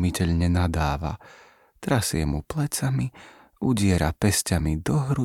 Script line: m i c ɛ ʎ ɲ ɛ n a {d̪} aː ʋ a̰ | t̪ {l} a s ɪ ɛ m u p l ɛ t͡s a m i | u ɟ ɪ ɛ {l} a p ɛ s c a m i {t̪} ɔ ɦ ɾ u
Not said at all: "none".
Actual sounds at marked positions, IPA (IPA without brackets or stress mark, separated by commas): d̪, ɾ, ɾ, d̪